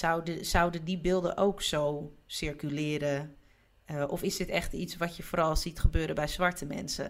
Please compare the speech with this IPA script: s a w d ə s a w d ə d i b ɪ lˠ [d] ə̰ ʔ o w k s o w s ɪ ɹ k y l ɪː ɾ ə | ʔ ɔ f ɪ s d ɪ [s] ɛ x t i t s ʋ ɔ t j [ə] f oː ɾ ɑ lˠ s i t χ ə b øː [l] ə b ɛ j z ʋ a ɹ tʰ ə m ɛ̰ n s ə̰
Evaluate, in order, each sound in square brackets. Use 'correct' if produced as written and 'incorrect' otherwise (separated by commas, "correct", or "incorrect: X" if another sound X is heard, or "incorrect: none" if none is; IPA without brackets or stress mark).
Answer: correct, incorrect: t, correct, incorrect: ɾ